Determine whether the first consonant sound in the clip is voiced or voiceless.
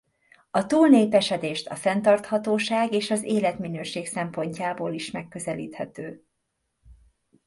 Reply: voiceless